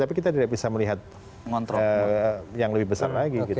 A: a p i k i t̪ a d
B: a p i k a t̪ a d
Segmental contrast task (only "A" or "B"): A